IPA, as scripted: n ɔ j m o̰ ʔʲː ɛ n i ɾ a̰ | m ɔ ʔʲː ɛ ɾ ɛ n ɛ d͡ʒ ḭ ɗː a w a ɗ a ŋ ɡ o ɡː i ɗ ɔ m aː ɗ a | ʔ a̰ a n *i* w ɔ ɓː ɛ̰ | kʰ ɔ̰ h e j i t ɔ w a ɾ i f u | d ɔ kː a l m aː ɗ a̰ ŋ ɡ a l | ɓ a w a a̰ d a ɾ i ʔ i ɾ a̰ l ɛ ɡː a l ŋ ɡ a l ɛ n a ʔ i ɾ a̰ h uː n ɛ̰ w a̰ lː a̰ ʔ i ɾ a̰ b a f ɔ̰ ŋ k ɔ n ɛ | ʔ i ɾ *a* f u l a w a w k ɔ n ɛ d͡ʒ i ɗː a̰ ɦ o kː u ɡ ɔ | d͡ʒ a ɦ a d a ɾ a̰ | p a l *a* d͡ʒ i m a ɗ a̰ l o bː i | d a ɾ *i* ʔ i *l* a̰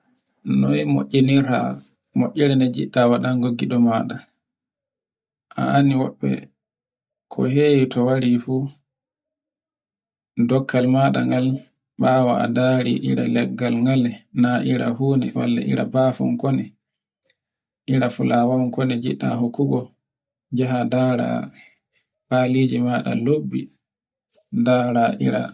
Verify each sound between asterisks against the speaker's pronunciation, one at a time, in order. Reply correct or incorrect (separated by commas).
correct, correct, incorrect, incorrect, incorrect